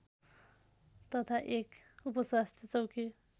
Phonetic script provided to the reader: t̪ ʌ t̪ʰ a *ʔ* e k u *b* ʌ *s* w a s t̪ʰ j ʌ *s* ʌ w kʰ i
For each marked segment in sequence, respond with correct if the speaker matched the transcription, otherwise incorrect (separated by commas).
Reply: correct, incorrect, correct, incorrect